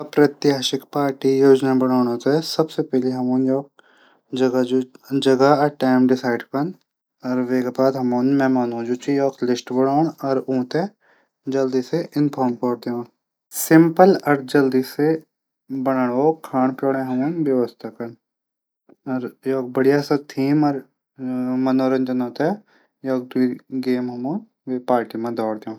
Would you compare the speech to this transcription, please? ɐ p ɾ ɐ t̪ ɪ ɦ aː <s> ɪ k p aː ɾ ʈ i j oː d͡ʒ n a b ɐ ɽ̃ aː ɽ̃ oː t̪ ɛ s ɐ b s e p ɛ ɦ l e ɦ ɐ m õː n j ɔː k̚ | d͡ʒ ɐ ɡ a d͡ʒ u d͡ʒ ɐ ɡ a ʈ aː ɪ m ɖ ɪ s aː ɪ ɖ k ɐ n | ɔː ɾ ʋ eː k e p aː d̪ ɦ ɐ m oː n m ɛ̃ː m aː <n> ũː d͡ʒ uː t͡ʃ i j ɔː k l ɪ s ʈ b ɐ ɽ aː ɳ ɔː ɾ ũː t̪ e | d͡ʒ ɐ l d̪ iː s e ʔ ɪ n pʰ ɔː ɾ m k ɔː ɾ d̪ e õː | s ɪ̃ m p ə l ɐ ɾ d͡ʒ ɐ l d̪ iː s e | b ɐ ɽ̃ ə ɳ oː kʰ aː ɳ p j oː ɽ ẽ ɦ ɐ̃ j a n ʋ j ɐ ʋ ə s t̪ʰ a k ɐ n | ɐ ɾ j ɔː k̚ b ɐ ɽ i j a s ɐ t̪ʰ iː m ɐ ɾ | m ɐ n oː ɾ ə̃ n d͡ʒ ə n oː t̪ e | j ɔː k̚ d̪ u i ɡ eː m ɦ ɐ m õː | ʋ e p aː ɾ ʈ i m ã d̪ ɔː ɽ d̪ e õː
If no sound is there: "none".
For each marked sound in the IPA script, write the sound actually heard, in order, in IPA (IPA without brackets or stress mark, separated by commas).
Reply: ʃ, n